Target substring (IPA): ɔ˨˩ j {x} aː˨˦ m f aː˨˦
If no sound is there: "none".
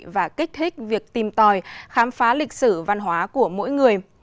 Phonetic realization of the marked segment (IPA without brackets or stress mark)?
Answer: x